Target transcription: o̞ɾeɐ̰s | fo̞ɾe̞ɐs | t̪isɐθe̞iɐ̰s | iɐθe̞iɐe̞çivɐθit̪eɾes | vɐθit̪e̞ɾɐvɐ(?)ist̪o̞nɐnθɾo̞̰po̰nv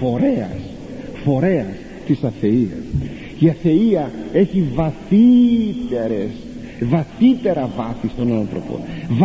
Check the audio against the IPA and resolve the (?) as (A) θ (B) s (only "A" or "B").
A